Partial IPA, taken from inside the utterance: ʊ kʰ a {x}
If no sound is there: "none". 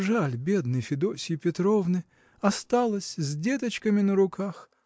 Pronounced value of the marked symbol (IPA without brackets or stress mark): x